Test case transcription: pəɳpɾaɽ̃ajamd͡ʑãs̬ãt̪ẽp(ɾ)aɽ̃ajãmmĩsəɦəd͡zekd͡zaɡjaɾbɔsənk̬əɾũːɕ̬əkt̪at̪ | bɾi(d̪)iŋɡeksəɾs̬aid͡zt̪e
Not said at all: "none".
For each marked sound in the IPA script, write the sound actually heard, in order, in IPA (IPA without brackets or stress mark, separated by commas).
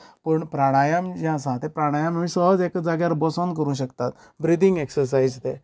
ɾ, d̪